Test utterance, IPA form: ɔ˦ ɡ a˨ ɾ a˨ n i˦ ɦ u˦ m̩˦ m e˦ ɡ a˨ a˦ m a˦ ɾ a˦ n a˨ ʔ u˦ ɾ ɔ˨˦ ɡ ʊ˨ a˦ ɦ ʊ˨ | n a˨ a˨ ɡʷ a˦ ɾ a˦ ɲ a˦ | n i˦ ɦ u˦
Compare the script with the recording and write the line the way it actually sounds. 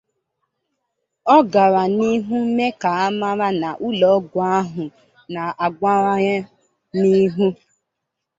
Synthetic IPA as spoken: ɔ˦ ɡ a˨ ɾ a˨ n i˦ ɦ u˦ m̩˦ m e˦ k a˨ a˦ m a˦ ɾ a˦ n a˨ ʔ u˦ l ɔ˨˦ ɡ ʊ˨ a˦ ɦ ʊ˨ | n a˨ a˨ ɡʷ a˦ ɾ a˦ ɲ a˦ | n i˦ ɦ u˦

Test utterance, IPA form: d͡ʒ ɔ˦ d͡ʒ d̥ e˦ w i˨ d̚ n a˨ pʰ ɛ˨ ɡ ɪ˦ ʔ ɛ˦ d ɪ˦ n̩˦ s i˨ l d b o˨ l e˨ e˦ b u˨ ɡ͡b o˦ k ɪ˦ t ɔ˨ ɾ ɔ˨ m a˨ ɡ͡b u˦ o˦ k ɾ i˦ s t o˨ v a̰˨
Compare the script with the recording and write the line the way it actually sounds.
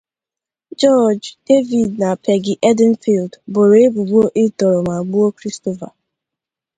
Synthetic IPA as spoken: d͡ʒ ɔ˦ d͡ʒ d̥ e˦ v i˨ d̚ n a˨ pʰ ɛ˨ ɡ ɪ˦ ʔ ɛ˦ d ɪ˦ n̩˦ f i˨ l d b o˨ ɾ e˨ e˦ b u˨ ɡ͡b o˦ ʔ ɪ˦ t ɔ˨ ɾ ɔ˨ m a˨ ɡ͡b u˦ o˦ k ɾ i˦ s t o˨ v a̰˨

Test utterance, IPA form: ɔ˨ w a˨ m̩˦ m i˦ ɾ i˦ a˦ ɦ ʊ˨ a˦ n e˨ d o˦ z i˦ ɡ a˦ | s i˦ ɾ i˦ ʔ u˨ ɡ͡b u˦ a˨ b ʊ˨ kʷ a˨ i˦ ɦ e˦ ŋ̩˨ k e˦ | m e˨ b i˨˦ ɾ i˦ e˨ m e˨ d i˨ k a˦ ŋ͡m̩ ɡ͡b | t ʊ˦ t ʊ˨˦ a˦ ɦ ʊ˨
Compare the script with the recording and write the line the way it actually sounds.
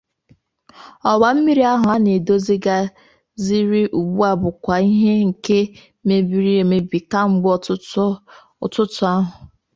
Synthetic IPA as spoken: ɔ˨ w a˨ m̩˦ m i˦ ɾ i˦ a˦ ɦ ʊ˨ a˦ n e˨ d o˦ z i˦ ɡ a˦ | z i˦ ɾ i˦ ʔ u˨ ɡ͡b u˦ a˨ b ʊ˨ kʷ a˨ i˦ ɦ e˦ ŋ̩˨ k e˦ | m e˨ b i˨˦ ɾ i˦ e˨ m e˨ b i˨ k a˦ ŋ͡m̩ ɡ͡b | t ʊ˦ t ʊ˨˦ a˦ ɦ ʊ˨

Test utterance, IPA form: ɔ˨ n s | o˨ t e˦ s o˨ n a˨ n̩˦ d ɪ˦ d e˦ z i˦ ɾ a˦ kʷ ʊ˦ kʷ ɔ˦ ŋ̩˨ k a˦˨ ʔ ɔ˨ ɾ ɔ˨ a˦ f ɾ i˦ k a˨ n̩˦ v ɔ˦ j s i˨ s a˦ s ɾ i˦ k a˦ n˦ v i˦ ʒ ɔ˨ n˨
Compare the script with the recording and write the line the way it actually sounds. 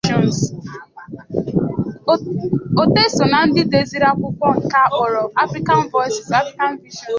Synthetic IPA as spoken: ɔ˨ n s | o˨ t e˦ s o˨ n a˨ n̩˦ d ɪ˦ d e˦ z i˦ ɾ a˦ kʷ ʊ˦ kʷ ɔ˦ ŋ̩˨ k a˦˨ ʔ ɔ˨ ɾ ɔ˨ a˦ f ɾ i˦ k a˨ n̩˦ v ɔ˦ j s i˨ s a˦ f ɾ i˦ k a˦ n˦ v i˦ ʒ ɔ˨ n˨

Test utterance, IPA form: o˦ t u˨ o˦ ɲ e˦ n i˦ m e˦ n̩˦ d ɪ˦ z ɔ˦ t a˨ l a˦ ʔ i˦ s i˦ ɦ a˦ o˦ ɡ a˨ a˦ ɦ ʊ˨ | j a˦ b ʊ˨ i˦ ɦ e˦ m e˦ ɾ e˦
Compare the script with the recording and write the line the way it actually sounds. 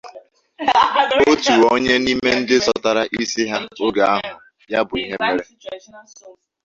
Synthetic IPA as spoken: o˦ t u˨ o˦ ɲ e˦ n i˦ m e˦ n̩˦ d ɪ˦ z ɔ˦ t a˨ ɾ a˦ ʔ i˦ s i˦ ɦ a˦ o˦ ɡ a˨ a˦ ɦ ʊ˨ | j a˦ b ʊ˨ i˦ ɦ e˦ m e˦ ɾ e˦

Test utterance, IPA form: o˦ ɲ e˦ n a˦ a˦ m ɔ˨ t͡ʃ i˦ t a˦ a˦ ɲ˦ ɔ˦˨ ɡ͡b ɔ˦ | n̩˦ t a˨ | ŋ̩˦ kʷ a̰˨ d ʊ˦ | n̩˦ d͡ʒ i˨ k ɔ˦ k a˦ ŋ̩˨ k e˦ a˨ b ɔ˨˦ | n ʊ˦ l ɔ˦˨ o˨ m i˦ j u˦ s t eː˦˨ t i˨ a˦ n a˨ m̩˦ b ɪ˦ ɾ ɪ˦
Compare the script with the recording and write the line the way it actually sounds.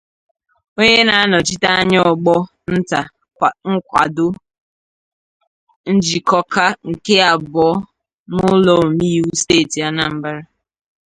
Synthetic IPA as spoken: o˦ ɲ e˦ n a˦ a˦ n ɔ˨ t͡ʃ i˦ t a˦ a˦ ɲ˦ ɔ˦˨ ɡ͡b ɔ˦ | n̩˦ t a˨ | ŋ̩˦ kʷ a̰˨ d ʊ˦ | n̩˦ d͡ʒ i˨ k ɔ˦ k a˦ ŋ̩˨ k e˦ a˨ b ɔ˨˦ | n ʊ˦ l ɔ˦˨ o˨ m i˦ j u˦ s t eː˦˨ t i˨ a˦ n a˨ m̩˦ b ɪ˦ ɾ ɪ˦

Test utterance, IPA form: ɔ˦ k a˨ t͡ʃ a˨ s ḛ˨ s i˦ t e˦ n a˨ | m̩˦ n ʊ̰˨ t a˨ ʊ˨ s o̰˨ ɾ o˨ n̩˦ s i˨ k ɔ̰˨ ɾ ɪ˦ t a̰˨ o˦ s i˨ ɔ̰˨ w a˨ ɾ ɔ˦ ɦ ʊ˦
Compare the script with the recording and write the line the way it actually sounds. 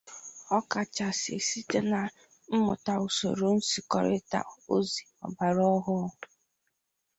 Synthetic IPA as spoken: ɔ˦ k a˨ t͡ʃ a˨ s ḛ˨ s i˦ t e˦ n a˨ | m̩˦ m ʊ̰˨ t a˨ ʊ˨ s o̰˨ ɾ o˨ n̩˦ s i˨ k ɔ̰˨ ɾ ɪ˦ t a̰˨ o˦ z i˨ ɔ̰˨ b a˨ ɾ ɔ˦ ɦ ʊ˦

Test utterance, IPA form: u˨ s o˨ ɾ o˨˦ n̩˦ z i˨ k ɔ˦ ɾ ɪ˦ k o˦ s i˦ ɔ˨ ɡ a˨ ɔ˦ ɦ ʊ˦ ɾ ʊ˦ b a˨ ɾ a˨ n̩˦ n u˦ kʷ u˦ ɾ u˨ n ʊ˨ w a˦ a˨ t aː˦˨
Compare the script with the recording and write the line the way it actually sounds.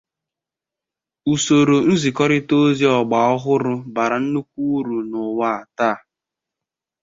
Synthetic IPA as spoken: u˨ s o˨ ɾ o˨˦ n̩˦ z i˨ k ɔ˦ ɾ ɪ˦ t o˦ z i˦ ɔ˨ ɡ͡b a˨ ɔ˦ ɦ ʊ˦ ɾ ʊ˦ b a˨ ɾ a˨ n̩˦ n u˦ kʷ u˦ ɾ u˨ n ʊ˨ w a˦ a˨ t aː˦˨

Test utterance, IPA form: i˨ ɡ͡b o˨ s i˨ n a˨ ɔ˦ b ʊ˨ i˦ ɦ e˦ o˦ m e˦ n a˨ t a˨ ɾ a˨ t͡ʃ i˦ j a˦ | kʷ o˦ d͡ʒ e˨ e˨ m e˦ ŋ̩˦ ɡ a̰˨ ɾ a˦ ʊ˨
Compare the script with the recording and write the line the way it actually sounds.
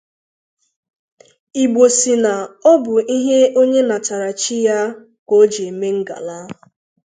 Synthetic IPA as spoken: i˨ ɡ͡b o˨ s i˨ n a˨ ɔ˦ b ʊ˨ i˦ ɦ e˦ o˦ ɲ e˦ n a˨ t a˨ ɾ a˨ t͡ʃ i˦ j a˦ | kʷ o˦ d͡ʒ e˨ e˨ m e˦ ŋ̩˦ ɡ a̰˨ l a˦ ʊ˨

